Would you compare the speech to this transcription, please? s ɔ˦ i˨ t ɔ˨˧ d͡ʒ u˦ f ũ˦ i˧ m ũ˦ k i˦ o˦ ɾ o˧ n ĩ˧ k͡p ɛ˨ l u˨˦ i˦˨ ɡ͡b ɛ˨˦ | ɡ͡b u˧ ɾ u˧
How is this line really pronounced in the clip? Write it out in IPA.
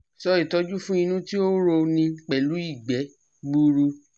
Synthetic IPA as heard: s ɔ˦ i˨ t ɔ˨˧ d͡ʒ u˦ f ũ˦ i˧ n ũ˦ t i˦ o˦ ɾ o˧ n ĩ˧ k͡p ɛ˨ l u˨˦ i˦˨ ɡ͡b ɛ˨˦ | ɡ͡b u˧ ɾ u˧